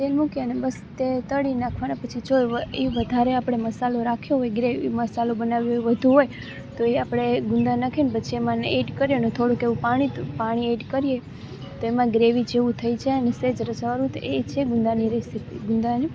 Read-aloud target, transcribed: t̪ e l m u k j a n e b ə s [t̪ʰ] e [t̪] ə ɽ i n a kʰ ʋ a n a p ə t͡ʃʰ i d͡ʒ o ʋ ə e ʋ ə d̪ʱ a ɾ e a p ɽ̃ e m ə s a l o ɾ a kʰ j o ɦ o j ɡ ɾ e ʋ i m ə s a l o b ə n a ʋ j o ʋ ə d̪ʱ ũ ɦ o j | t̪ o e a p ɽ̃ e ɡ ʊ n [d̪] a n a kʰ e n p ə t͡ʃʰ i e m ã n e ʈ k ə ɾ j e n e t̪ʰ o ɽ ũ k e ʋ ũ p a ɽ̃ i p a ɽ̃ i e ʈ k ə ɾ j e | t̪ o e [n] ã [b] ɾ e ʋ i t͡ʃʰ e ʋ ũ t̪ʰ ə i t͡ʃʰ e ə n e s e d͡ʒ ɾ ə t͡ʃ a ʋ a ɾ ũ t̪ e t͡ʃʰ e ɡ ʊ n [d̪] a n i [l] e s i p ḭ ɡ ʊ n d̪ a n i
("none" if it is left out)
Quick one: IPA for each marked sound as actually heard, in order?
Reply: t̪, t̪, d̪, m, ɡ, d̪, ɾ

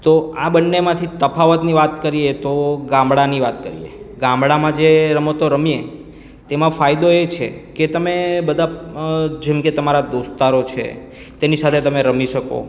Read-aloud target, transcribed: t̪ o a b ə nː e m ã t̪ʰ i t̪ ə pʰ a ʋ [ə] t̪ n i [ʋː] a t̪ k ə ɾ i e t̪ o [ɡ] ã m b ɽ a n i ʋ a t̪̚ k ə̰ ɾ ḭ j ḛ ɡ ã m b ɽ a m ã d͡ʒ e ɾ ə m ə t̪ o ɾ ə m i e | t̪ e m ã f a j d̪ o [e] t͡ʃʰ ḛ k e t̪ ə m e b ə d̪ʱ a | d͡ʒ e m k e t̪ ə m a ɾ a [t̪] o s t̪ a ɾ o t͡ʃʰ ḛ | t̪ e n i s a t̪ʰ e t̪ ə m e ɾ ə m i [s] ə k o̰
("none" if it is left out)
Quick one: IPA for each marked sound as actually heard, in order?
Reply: ə, ʋ, ɡ, e, d̪, ʃ

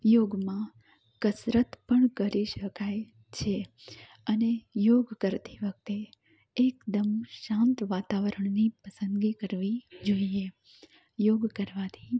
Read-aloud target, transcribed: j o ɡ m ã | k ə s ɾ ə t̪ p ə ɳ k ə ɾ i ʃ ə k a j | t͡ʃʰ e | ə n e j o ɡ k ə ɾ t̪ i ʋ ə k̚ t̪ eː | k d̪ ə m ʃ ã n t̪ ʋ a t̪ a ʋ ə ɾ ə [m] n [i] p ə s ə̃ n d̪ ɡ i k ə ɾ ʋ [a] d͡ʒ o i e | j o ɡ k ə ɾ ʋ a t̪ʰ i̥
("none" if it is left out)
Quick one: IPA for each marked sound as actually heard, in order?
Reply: ɳ, i, i

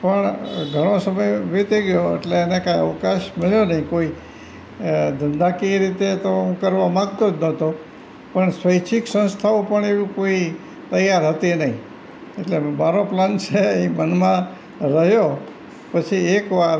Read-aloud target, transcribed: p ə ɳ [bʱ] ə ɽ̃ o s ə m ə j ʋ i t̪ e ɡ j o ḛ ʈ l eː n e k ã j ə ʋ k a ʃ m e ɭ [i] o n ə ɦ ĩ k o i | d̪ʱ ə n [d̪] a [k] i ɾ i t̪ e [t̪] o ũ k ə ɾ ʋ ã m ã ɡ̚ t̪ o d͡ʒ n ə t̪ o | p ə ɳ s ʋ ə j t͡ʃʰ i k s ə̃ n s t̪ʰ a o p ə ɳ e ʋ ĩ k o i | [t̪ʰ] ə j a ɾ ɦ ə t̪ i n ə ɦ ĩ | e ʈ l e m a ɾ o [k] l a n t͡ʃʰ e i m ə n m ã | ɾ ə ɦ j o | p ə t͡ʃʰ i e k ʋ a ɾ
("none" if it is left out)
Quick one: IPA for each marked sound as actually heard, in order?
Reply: ɡʱ, j, d̪, k, t̪, t̪, p

